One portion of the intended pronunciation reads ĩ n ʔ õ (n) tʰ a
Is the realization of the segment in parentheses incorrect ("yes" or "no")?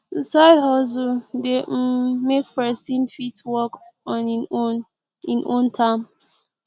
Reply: no